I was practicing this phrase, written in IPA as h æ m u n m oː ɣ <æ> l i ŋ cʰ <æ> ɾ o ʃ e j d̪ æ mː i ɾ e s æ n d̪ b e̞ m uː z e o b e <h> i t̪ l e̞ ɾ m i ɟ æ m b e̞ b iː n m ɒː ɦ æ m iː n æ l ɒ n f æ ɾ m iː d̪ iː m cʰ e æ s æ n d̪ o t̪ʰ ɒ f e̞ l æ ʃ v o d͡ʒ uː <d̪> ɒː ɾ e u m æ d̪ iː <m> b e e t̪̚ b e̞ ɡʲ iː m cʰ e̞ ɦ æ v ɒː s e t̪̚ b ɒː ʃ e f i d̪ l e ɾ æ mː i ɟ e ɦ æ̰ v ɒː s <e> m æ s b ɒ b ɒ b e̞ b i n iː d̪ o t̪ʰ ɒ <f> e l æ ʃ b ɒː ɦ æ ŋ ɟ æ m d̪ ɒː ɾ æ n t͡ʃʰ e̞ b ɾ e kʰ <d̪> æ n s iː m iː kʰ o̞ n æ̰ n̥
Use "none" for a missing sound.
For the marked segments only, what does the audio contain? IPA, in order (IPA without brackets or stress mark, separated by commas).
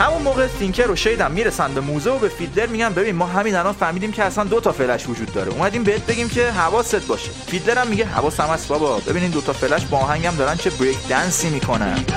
e, e, f, d̪ː, m, æ, f, d̪